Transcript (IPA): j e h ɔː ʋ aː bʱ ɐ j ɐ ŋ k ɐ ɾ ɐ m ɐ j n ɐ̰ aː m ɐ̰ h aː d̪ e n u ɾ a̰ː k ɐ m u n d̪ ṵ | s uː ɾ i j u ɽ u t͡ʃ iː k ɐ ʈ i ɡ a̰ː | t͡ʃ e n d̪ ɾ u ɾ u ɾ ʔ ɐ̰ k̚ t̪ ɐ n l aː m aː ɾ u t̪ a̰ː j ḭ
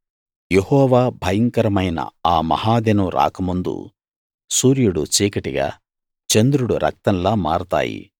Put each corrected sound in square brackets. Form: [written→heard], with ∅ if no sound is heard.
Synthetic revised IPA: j e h ɔː ʋ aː bʱ ɐ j ɐ ŋ k ɐ ɾ ɐ m ɐ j n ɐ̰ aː m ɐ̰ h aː d̪ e n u ɾ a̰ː k ɐ m u n d̪ ṵ | s uː ɾ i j u ɽ u t͡ʃ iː k ɐ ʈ i ɡ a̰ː | t͡ʃ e n d̪ ɾ u [ɾ→ɽ] u ɾ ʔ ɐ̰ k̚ t̪ ɐ n l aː m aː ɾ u t̪ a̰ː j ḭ